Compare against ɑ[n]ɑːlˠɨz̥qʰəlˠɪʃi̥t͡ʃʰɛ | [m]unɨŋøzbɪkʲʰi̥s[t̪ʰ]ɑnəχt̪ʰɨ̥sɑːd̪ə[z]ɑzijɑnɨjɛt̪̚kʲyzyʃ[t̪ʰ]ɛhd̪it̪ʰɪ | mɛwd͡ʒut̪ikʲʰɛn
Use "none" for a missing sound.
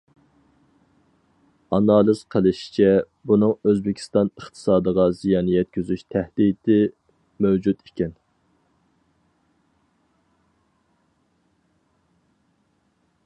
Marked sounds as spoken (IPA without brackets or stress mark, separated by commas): n, b, t̪, ʁ, t̪ʰ